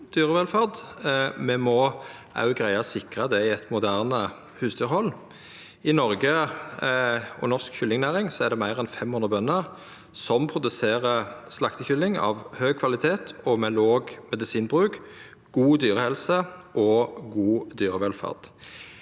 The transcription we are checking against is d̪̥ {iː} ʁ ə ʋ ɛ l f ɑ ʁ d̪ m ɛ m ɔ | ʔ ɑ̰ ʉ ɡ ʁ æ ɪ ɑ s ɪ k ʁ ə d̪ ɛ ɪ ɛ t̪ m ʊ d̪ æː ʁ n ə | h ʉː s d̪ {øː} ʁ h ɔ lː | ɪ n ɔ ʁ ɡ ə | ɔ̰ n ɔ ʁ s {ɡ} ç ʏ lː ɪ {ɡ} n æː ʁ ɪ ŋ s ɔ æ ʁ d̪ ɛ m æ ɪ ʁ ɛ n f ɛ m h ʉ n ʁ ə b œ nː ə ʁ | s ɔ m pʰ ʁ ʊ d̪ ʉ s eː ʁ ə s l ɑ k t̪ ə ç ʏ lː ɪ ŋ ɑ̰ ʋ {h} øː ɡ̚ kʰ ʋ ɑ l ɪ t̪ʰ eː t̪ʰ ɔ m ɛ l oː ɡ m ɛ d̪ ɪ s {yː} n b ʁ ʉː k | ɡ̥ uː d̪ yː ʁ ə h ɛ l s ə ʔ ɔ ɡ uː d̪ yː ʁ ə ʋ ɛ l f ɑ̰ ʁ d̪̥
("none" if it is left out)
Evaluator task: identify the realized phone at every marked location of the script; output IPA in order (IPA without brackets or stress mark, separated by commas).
yː, yː, k, ŋ, h, iː